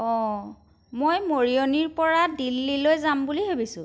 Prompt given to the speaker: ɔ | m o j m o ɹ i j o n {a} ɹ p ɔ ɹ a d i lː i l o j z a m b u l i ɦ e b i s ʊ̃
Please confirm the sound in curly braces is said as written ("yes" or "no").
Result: no